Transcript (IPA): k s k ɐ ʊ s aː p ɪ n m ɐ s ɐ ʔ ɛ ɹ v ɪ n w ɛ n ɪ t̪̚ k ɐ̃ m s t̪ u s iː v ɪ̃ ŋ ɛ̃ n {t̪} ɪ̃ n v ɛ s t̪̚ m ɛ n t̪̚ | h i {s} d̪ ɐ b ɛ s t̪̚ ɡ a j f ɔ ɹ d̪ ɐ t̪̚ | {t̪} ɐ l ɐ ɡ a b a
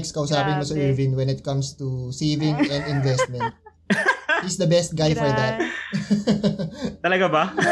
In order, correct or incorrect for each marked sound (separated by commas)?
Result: incorrect, correct, correct